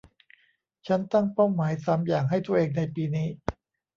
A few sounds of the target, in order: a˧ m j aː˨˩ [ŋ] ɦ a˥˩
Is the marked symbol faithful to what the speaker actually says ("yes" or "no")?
yes